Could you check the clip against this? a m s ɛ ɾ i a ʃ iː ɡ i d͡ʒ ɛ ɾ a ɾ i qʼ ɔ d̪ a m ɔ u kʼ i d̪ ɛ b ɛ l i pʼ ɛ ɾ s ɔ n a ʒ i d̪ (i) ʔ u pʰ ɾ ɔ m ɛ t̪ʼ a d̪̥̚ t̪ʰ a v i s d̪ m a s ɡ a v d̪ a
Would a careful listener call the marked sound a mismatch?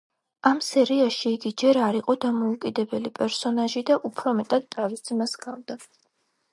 yes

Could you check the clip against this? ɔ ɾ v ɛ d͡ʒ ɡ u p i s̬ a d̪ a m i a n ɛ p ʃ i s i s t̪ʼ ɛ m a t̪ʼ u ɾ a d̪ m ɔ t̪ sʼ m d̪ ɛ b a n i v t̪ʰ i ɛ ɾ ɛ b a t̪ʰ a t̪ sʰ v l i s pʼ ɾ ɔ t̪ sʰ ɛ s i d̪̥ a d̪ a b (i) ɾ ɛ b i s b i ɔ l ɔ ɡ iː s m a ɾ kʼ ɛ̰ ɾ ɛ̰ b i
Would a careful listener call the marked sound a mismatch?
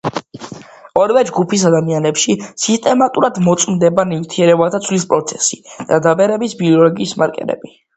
yes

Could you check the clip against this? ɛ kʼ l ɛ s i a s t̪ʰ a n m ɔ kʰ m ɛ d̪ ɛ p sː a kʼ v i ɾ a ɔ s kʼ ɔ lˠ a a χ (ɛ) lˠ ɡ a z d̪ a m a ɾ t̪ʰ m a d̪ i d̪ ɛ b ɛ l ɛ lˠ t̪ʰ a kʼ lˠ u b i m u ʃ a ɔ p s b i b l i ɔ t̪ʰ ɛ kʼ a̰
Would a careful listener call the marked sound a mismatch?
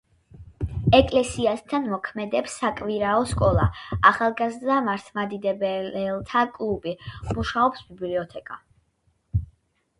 yes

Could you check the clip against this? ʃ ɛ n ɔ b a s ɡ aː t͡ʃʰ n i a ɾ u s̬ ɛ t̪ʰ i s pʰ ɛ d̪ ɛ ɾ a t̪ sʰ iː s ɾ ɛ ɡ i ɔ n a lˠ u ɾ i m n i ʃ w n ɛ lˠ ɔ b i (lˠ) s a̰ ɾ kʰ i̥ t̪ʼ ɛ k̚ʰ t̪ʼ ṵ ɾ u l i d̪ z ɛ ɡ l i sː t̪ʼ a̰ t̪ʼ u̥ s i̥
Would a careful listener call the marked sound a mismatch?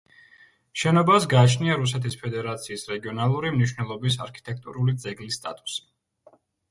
yes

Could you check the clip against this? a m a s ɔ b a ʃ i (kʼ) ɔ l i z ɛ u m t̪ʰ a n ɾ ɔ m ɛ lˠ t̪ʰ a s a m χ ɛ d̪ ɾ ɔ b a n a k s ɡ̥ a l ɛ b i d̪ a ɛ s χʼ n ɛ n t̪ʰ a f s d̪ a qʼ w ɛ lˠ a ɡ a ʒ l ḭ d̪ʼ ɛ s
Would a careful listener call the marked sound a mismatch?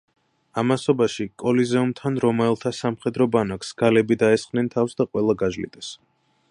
no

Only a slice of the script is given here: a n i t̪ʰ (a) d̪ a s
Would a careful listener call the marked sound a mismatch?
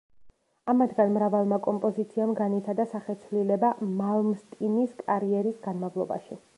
no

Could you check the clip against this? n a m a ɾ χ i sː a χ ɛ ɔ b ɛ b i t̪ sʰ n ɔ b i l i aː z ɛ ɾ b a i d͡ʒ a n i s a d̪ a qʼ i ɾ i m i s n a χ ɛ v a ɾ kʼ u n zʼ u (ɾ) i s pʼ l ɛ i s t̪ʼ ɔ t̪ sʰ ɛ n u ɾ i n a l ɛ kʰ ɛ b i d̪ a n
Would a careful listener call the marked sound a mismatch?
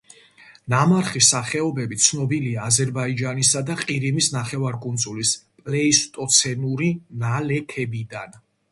yes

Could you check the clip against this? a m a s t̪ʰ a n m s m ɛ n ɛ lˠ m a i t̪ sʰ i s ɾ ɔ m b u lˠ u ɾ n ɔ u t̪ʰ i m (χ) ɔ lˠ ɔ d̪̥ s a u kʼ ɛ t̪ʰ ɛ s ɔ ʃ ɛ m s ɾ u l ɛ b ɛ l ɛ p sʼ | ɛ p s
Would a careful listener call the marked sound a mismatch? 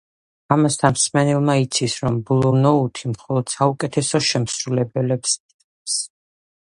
no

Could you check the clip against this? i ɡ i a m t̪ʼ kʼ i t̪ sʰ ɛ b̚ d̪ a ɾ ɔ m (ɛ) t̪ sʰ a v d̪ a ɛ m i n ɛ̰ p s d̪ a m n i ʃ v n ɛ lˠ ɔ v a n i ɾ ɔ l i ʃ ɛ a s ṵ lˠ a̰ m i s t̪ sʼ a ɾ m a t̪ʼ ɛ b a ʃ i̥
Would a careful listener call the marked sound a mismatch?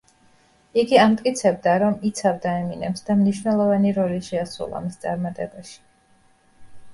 yes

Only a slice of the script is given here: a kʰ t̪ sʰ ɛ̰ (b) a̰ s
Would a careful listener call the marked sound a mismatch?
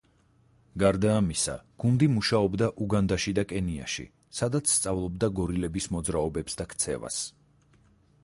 yes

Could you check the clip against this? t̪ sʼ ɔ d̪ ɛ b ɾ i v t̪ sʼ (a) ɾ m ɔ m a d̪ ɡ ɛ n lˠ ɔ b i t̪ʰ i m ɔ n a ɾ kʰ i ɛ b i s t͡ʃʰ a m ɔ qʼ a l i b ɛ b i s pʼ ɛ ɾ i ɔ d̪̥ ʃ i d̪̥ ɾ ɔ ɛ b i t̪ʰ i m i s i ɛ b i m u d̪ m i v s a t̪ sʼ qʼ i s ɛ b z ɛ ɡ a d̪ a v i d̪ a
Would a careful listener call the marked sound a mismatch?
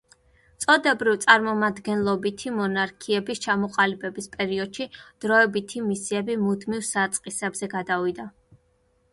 no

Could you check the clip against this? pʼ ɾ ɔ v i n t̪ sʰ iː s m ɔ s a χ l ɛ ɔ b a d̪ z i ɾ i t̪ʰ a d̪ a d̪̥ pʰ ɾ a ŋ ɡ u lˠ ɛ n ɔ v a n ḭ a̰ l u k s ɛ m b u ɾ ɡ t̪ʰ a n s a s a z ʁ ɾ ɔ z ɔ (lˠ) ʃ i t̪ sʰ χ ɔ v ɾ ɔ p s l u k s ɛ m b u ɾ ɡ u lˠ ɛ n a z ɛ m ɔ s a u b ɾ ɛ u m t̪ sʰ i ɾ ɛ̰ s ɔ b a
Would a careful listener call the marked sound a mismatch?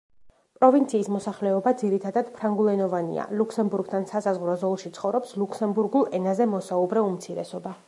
no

